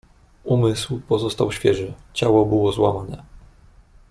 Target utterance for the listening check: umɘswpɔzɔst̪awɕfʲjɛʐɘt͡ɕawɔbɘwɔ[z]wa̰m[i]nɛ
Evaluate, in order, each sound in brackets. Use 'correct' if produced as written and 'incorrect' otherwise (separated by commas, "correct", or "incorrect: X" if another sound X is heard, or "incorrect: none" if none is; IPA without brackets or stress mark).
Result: correct, incorrect: a